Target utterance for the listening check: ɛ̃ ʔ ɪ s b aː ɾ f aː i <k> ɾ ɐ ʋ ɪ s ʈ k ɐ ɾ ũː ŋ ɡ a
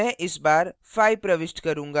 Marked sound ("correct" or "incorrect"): incorrect